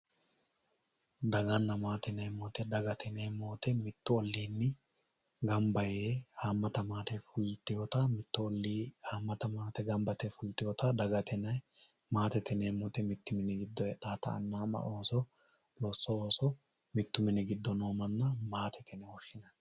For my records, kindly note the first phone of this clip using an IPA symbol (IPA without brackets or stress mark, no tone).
d̪